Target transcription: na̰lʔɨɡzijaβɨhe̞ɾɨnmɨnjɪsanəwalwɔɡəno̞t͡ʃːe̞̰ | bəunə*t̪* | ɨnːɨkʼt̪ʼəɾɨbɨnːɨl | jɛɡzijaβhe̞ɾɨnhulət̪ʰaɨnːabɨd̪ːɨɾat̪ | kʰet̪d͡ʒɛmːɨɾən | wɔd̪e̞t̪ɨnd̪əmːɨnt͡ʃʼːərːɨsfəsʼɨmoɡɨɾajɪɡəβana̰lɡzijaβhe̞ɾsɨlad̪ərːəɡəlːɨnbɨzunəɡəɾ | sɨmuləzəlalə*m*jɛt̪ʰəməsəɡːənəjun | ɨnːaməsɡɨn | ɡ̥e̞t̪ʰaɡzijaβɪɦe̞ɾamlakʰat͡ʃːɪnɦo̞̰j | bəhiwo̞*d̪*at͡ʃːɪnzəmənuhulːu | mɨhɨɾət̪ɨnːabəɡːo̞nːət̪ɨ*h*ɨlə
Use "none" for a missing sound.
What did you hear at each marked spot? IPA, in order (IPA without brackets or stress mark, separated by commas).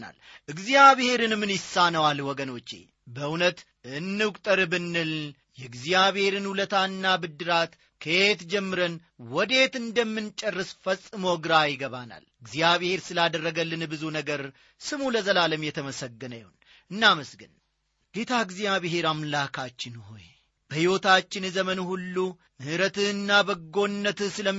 t̪, m, t̪, s